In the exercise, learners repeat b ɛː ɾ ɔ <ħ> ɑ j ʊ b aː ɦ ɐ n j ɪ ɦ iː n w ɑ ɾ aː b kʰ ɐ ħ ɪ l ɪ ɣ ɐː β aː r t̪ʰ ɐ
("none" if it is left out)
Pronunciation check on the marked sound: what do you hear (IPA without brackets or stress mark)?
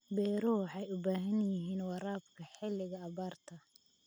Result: ħ